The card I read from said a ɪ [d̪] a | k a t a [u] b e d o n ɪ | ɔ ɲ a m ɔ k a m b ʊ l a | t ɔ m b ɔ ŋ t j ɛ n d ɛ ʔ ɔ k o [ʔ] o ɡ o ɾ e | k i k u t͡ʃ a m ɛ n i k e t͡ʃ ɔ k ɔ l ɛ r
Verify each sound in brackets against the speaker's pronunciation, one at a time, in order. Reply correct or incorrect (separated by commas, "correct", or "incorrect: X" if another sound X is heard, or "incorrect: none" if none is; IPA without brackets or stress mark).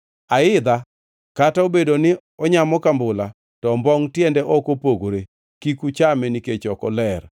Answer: correct, incorrect: o, incorrect: p